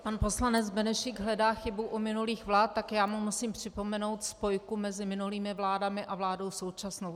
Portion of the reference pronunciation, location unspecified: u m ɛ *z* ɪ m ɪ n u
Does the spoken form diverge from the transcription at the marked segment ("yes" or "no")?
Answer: no